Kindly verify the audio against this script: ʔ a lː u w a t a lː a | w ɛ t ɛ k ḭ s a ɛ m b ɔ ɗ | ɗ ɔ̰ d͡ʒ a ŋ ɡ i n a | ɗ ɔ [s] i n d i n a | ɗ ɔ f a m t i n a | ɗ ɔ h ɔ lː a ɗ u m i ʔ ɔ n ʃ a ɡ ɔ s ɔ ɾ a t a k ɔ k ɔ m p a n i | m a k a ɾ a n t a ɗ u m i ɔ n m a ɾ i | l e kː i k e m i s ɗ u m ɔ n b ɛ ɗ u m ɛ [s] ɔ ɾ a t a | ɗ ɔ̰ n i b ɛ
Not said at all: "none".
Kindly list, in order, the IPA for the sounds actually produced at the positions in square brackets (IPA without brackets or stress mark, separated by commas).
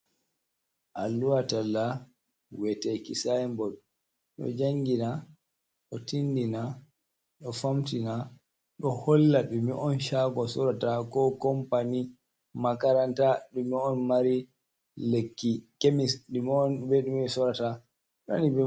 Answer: t, s